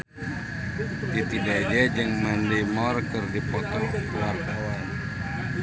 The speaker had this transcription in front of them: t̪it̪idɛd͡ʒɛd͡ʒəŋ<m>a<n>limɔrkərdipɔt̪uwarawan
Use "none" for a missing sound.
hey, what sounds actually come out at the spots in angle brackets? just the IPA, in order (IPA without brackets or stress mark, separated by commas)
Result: m, n